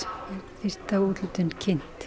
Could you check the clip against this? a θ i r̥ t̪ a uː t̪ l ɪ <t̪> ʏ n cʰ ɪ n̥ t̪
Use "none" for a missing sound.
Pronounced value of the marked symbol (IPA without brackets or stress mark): t̪